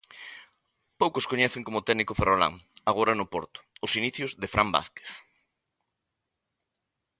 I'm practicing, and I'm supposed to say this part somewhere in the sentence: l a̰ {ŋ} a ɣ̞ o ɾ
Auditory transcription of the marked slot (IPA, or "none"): ŋ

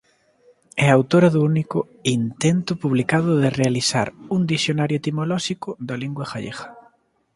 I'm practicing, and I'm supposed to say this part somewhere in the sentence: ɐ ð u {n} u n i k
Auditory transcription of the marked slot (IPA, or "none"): none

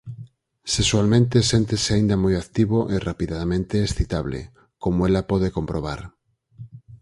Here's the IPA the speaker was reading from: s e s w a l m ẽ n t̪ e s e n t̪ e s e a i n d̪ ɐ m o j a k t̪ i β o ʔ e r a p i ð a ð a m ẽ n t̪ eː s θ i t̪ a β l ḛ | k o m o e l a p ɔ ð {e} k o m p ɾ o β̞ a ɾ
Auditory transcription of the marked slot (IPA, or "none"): e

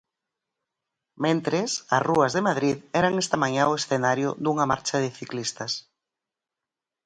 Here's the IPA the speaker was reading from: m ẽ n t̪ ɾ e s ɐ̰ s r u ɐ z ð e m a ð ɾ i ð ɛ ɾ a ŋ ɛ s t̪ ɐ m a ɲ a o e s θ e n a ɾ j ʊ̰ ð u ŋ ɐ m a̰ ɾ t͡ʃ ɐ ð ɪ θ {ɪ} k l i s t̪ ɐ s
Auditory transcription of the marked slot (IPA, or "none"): i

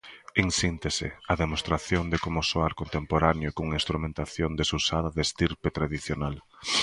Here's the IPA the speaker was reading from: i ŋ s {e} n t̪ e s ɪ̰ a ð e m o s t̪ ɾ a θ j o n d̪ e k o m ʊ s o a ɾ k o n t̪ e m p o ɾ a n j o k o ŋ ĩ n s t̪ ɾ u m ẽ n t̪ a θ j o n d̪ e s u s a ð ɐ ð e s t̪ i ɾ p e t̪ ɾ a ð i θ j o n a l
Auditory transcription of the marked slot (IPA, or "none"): i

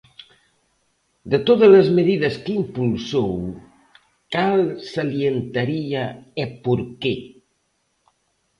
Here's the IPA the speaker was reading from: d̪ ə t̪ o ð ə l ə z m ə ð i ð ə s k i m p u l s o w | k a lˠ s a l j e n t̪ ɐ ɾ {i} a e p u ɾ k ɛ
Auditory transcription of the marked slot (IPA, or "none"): i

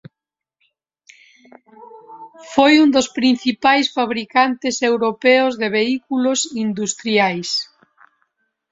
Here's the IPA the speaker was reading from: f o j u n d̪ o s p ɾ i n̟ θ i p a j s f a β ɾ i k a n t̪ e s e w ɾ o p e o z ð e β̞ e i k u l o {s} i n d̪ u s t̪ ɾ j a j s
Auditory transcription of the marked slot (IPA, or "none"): s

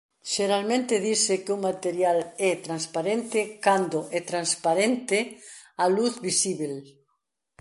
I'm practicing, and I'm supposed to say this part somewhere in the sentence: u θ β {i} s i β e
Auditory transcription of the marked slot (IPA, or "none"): i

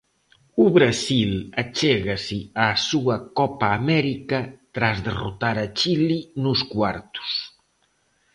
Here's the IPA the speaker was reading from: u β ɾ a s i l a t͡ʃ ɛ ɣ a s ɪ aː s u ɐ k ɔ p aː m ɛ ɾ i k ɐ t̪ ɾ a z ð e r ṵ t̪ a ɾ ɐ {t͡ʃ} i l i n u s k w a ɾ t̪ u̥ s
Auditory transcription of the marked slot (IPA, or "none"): t͡ʃ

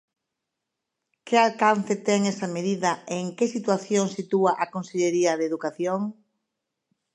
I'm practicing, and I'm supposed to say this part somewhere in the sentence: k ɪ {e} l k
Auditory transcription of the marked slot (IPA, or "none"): a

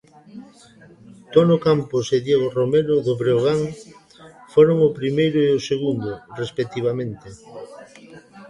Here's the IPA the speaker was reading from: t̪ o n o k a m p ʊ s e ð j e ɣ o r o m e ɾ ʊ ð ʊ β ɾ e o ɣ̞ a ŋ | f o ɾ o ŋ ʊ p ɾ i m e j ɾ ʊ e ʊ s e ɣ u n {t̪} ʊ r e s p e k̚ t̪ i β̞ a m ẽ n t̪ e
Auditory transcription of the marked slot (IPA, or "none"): d̪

